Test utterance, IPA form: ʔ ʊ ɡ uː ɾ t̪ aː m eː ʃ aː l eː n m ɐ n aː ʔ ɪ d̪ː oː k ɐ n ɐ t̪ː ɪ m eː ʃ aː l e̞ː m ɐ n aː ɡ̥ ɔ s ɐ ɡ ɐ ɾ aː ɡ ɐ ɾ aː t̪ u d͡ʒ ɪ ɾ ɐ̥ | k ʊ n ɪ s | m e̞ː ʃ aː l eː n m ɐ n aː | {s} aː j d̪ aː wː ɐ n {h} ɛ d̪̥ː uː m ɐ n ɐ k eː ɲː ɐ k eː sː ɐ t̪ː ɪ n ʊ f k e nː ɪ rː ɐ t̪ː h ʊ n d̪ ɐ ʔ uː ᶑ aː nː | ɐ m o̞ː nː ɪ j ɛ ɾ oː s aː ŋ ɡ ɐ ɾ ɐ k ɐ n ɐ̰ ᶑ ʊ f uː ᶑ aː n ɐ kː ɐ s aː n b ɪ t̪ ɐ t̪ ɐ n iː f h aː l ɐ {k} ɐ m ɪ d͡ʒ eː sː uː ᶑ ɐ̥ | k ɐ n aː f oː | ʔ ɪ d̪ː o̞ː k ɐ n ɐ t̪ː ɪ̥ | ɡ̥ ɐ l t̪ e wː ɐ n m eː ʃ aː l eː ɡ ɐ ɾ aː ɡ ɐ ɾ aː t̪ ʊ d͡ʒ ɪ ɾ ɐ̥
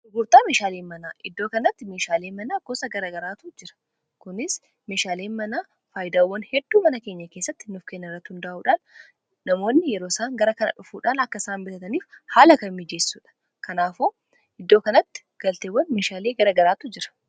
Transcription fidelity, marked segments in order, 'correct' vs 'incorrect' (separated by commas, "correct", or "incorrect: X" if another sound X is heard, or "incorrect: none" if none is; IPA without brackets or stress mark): incorrect: f, correct, correct